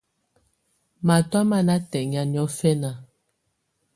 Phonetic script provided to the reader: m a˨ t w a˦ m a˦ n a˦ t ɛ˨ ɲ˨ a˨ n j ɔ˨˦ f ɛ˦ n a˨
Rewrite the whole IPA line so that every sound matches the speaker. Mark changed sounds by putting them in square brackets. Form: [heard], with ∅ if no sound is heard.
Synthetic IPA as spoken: m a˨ t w a˦ m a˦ n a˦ t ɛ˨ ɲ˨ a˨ n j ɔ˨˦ f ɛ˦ n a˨